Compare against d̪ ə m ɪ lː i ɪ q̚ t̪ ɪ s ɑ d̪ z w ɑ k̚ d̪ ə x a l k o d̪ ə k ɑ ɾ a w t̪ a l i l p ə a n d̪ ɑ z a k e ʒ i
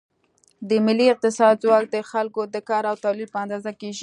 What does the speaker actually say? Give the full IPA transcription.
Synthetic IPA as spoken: d̪ ə m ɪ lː i ɪ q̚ t̪ ɪ s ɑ d̪ z w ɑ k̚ d̪ ə x a l k o d̪ ə k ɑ ɾ a w t̪ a l i l p ə a n d̪ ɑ z a k e ʒ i